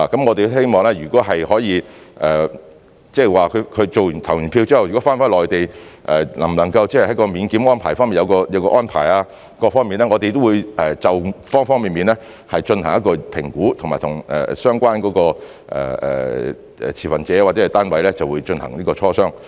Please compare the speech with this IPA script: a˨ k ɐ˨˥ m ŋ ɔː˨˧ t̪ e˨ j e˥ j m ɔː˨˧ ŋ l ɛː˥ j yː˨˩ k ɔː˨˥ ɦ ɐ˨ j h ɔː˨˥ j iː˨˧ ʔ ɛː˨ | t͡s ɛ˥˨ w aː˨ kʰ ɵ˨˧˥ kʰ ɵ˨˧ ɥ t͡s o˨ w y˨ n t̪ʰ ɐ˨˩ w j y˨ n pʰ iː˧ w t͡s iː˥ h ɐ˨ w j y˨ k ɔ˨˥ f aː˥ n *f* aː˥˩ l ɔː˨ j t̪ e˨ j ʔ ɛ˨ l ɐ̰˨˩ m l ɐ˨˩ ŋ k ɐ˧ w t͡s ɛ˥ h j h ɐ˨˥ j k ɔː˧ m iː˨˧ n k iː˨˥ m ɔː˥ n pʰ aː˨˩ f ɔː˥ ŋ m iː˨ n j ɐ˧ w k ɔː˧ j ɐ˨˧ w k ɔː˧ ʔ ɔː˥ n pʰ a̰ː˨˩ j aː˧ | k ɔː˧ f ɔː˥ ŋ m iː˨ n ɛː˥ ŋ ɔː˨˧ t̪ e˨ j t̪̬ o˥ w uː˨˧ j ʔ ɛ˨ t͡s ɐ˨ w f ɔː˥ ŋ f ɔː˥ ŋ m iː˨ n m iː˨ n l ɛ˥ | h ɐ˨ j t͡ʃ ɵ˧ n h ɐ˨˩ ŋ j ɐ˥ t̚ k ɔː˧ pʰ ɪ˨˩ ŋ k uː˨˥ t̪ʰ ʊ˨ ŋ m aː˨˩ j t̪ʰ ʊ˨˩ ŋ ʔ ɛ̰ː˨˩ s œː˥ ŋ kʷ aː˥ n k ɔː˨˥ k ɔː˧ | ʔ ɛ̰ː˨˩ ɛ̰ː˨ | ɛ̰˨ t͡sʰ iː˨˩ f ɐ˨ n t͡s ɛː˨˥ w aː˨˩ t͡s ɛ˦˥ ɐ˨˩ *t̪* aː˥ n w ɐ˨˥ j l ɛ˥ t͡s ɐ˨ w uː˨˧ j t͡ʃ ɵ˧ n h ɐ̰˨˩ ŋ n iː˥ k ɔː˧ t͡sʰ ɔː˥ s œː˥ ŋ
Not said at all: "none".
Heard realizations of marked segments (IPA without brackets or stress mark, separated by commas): f, t̪